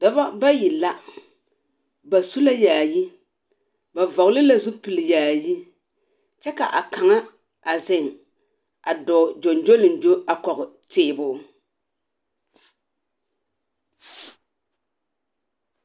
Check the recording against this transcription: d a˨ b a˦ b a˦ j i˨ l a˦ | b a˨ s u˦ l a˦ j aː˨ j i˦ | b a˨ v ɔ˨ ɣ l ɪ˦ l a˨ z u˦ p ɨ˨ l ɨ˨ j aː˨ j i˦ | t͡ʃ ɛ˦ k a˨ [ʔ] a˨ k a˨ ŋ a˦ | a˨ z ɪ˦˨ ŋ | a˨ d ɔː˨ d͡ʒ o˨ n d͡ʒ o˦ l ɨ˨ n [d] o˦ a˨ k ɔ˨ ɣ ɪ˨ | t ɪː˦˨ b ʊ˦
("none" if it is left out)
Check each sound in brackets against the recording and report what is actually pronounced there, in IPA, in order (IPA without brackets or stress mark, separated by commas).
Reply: ʔ, d͡ʒ